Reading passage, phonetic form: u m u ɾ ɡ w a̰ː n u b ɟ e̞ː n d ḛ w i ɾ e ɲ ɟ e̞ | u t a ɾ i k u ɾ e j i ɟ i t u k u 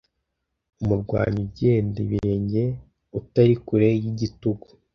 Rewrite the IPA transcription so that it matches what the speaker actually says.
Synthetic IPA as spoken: u m u ɾ ɡ w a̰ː ɲ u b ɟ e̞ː n d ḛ β i ɾ e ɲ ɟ e̞ | u t a ɾ i k u ɾ e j i ɟ i t u ɡ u